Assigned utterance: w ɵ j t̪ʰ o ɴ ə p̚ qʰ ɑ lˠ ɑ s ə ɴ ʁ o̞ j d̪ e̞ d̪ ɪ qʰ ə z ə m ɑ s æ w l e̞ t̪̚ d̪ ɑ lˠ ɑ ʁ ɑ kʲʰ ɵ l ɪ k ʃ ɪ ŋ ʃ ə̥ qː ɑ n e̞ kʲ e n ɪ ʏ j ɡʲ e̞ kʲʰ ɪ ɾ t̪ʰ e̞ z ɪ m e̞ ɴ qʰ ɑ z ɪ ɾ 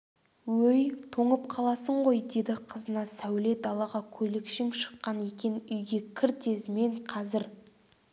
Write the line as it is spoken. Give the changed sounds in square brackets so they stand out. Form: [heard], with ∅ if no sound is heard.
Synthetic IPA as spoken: w ɵ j t̪ʰ o ɴ ə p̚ qʰ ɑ lˠ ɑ s ə ɴ ʁ o̞ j d̪ e̞ d̪ ɪ qʰ ə z ə [n] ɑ s æ w l e̞ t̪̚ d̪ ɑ lˠ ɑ ʁ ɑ kʲʰ ɵ l ɪ k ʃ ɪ ŋ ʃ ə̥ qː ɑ n e̞ kʲ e n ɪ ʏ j ɡʲ e̞ kʲʰ ɪ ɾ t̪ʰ e̞ z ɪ m e̞ ɴ qʰ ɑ z ɪ ɾ

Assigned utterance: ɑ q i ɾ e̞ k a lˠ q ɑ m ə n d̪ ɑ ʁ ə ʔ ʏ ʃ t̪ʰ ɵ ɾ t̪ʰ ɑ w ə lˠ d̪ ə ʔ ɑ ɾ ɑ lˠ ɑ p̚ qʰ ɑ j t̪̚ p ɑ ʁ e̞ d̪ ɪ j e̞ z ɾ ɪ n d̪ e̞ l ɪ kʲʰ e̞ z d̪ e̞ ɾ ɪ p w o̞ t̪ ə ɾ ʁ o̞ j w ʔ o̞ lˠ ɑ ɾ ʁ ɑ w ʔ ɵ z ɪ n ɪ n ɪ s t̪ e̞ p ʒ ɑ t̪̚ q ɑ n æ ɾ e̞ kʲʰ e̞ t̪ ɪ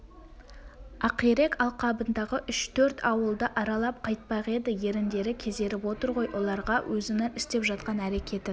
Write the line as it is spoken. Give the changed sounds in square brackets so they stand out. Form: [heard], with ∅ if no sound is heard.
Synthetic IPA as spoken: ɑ q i ɾ e̞ k [ɑ] lˠ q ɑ [b] ə n d̪ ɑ ʁ ə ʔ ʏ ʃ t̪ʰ ɵ ɾ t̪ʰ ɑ w ə lˠ d̪ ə ʔ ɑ ɾ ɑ lˠ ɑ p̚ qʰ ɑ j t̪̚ p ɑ ʁ e̞ d̪ ɪ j e̞ [∅] ɾ ɪ n d̪ e̞ [ɾ] ɪ kʲʰ e̞ z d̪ e̞ ɾ ɪ p w o̞ t̪ ə ɾ ʁ o̞ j w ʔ o̞ lˠ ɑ ɾ ʁ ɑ w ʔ ɵ z ɪ n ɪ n ɪ s t̪ e̞ p ʒ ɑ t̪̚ q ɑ n æ ɾ e̞ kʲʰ e̞ t̪ ɪ

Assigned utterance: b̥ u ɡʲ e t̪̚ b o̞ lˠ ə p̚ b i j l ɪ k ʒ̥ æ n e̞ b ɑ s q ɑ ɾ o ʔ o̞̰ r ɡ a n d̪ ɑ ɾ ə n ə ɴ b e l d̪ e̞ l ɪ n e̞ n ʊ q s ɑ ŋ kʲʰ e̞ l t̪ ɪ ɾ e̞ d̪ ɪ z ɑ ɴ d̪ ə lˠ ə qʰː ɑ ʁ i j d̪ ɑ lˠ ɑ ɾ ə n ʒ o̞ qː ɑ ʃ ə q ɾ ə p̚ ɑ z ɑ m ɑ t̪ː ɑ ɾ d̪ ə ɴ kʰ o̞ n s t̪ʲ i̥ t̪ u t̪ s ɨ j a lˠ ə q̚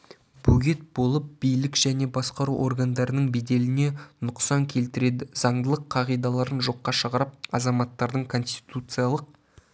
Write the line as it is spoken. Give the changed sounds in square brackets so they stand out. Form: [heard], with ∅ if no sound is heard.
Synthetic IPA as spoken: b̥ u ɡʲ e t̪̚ b o̞ lˠ ə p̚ b i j l ɪ k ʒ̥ æ n e̞ b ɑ s q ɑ ɾ [u] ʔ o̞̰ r ɡ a n d̪ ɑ ɾ ə n ə ɴ b e [∅] d̪ e̞ l ɪ n e̞ n ʊ q s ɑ ŋ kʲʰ e̞ l t̪ ɪ ɾ e̞ d̪ ɪ z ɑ ɴ d̪ ə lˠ ə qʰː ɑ ʁ i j d̪ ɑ lˠ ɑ ɾ ə n ʒ o̞ qː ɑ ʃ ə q ɾ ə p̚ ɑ z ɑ m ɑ t̪ː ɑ ɾ d̪ ə ɴ kʰ o̞ n s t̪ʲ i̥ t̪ u t̪ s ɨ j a lˠ ə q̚

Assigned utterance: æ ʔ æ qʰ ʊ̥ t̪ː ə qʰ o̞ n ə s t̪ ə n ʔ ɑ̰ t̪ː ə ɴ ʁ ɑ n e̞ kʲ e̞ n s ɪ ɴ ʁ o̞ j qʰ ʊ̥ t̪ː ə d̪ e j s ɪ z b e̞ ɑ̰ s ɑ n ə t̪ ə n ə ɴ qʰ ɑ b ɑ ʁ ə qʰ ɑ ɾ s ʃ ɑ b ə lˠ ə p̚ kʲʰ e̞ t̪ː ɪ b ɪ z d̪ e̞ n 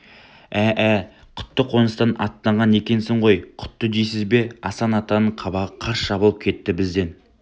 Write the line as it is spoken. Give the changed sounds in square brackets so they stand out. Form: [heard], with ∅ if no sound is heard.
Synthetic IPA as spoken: æ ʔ æ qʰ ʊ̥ t̪ː ə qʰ o̞ n ə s t̪ [ɑ] n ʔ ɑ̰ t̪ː [ɑ] ɴ ʁ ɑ n e̞ kʲ e̞ n s ɪ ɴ ʁ o̞ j qʰ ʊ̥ t̪ː ə d̪ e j s ɪ z b e̞ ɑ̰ s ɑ n [ɑ] t̪ [ɑ] n ə ɴ qʰ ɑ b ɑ ʁ ə qʰ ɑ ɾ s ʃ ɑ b ə lˠ ə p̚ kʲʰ e̞ t̪ː ɪ b ɪ z d̪ e̞ n

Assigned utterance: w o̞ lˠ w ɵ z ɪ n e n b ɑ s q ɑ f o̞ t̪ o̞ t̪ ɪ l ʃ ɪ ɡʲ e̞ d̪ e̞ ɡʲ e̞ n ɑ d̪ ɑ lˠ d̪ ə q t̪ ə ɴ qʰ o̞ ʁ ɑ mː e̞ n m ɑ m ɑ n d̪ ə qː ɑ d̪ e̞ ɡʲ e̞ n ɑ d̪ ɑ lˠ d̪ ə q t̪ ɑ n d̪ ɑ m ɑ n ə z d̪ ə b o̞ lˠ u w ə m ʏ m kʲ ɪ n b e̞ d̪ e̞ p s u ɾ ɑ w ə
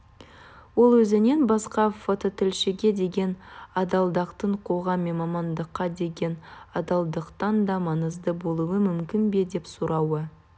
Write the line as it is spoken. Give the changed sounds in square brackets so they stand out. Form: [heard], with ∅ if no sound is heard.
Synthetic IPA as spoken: w o̞ lˠ w ɵ z ɪ n e n b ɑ s q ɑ f o̞ t̪ o̞ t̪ ɪ l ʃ ɪ ɡʲ e̞ d̪ e̞ ɡʲ e̞ n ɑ d̪ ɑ lˠ d̪ [ɑ] q t̪ ə ɴ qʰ o̞ ʁ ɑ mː e̞ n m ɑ m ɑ n d̪ ə qː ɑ d̪ e̞ ɡʲ e̞ n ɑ d̪ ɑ lˠ d̪ ə q t̪ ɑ n d̪ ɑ m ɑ n ə z d̪ ə b o̞ lˠ u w ə m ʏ m kʲ ɪ n b e̞ d̪ e̞ p s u ɾ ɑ w ə

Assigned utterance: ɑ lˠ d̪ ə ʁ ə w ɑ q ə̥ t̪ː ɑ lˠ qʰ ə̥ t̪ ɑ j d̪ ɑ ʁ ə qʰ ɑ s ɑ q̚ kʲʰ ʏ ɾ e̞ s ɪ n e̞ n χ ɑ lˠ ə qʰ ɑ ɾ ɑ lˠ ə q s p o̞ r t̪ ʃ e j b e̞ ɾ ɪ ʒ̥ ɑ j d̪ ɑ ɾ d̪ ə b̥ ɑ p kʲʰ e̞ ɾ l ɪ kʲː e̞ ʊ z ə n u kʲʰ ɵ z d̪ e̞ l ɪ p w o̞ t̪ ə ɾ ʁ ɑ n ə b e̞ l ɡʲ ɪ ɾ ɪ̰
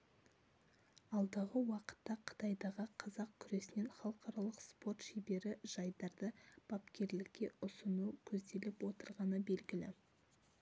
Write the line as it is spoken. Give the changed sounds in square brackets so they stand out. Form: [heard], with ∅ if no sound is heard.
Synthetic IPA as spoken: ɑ lˠ d̪ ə ʁ ə w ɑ q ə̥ t̪ː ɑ [∅] qʰ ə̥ t̪ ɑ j d̪ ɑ ʁ ə qʰ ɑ [z] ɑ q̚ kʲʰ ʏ ɾ e̞ s ɪ n e̞ n χ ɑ lˠ ə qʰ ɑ ɾ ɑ lˠ ə q s p o̞ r t̪ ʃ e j b e̞ ɾ ɪ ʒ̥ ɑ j d̪ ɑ ɾ d̪ ə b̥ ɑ p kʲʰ e̞ ɾ l ɪ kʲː e̞ ʊ [s] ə n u kʲʰ ɵ z d̪ e̞ l ɪ p w o̞ t̪ ə ɾ ʁ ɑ n ə b e̞ l ɡʲ ɪ [l] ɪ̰

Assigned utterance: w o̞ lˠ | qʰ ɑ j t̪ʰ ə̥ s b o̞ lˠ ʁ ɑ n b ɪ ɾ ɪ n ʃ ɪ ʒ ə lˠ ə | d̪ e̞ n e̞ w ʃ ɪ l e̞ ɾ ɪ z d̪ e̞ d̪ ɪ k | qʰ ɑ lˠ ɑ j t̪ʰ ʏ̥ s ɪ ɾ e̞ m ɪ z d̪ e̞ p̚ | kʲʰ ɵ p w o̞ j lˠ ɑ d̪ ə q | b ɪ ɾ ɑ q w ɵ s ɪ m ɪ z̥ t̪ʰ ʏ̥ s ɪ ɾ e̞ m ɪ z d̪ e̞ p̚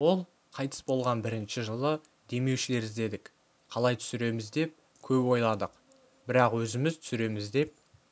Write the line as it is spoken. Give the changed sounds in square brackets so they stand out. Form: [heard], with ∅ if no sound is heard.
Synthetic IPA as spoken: w o̞ lˠ | qʰ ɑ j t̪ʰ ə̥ s b o̞ lˠ ʁ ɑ n b ɪ ɾ ɪ n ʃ ɪ ʒ ə lˠ ə | d̪ e̞ [m] e̞ w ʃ ɪ l e̞ ɾ ɪ z d̪ e̞ d̪ ɪ k | qʰ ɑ lˠ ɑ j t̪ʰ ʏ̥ s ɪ ɾ e̞ m ɪ z d̪ e̞ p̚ | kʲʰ ɵ p w o̞ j lˠ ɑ d̪ ə q | b ɪ ɾ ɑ q w ɵ [z] ɪ m ɪ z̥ t̪ʰ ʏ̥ s ɪ ɾ e̞ m ɪ z d̪ e̞ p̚

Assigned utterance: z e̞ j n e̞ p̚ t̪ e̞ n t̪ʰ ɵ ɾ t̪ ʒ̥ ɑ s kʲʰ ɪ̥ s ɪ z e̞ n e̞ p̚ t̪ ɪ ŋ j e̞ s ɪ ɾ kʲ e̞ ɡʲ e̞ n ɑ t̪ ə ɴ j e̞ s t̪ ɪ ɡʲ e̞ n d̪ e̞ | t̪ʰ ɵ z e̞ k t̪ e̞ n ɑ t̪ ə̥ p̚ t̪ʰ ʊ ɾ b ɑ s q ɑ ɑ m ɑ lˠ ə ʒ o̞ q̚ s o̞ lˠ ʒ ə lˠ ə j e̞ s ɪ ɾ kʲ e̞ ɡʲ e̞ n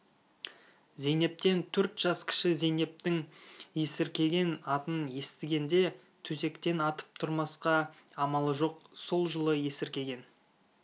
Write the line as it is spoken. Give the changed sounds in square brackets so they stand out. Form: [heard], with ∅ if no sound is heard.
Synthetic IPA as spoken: z e̞ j n e̞ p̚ t̪ e̞ n t̪ʰ ɵ ɾ t̪ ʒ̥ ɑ s kʲʰ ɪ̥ [ʃ] ɪ z e̞ n e̞ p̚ t̪ ɪ ŋ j e̞ s ɪ ɾ kʲ e̞ ɡʲ e̞ n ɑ t̪ ə [n] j e̞ s t̪ ɪ ɡʲ e̞ n d̪ e̞ | t̪ʰ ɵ z e̞ k t̪ e̞ n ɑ t̪ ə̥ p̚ t̪ʰ ʊ ɾ [m] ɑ s q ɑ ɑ m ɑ lˠ ə ʒ o̞ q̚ s o̞ lˠ ʒ ə lˠ ə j e̞ s ɪ ɾ kʲ e̞ ɡʲ e̞ n

